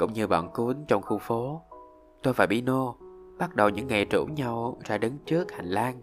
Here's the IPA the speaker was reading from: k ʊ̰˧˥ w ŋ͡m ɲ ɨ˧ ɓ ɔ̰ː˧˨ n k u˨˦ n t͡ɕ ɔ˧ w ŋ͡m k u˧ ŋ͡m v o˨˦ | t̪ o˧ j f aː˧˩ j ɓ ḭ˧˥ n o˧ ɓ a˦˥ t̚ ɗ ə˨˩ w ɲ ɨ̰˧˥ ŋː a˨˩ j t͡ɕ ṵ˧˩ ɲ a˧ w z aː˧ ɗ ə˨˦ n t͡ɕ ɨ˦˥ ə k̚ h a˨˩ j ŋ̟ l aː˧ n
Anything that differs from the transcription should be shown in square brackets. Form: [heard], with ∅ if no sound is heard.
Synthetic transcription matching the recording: k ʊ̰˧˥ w ŋ͡m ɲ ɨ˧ ɓ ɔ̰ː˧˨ n k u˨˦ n t͡ɕ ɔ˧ w ŋ͡m [x] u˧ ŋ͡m [f] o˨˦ | t̪ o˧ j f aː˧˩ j ɓ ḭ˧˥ n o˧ ɓ a˦˥ t̚ ɗ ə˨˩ w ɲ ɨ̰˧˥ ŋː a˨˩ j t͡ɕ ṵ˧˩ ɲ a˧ w z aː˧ ɗ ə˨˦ n t͡ɕ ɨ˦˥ ə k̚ h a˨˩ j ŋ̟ l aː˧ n